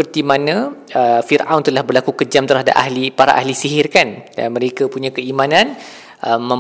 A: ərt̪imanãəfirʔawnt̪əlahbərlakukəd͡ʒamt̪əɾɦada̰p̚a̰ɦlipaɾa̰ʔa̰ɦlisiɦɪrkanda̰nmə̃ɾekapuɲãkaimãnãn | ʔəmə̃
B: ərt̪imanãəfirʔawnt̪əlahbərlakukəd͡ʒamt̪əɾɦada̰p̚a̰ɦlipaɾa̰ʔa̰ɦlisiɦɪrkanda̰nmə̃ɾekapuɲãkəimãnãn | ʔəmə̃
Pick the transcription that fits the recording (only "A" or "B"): B